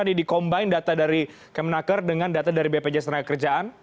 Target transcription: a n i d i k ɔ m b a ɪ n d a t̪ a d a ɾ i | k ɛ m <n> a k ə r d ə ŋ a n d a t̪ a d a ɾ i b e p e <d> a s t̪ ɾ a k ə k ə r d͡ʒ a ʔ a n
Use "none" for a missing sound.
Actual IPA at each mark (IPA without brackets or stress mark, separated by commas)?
n, d͡ʒ